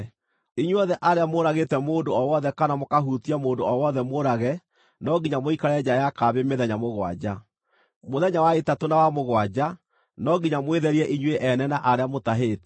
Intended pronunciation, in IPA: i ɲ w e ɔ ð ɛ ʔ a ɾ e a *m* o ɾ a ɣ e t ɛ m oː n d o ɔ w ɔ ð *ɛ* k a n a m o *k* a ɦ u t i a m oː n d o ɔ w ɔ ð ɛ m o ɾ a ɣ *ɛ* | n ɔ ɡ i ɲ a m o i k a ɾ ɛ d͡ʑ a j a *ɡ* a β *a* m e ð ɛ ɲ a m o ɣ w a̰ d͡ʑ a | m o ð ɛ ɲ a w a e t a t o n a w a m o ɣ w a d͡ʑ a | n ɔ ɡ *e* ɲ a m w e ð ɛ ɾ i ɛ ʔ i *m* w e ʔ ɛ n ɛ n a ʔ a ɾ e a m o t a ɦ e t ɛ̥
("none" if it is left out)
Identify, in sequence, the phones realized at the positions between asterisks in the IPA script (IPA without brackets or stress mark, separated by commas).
m, ɛ, k, ɛ, k, e, i, ɲ